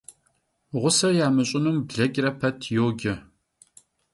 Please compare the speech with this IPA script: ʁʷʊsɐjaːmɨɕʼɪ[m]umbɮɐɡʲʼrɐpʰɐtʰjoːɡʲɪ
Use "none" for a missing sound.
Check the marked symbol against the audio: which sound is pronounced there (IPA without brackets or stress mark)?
n